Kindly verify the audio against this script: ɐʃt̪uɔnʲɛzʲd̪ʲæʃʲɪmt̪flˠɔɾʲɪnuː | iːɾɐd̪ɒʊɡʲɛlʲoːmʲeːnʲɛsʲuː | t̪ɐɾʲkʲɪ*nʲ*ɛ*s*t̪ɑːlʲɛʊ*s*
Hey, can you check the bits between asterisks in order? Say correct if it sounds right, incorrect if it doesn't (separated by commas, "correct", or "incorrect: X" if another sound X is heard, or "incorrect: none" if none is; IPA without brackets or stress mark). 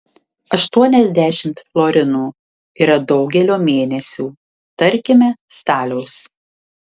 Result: incorrect: mʲ, correct, correct